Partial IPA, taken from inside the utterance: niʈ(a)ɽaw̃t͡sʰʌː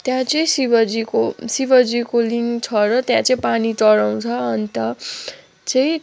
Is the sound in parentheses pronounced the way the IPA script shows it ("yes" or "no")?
no